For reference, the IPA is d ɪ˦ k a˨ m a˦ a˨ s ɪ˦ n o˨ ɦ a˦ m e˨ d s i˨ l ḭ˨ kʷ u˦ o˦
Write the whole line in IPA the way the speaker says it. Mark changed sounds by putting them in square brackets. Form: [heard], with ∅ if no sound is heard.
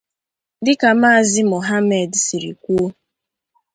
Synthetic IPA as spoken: d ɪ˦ k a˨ m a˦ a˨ [z] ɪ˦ [m] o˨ ɦ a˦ m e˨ d s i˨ [ɾ] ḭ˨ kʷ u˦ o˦